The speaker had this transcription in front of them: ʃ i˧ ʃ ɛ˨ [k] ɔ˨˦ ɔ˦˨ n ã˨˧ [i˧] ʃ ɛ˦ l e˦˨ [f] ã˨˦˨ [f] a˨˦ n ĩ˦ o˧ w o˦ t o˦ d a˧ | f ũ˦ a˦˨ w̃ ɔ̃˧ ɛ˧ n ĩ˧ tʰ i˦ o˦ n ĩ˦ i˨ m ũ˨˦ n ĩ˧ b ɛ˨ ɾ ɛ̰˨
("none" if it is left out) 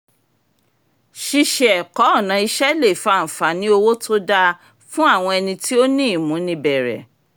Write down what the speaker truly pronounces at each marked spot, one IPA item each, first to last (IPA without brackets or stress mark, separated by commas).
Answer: k, i˧, f, f